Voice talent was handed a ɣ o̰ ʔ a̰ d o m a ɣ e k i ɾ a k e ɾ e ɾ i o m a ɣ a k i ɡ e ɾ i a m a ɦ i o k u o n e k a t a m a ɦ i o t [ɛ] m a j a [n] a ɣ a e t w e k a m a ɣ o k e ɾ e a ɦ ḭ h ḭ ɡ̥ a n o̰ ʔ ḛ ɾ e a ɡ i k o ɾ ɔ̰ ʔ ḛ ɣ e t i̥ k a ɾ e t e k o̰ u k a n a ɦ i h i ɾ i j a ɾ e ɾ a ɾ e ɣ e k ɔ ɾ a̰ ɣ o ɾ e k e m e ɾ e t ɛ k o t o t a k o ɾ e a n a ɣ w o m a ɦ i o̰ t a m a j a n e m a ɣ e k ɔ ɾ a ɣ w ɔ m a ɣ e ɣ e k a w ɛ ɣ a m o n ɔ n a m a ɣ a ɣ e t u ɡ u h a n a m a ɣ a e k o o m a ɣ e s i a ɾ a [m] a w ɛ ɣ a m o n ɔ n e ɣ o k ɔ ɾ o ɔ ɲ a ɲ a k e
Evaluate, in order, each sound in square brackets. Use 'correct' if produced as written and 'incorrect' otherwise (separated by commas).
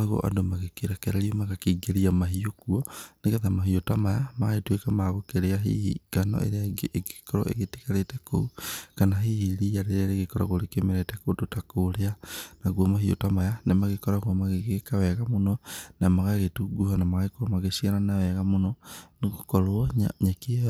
incorrect, incorrect, incorrect